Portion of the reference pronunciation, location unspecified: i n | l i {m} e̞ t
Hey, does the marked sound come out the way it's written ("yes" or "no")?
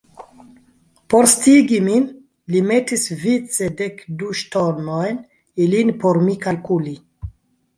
yes